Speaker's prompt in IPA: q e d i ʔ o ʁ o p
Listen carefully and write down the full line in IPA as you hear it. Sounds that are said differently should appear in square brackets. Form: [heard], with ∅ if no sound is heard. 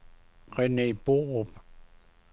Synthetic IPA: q e [n] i [p] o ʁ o p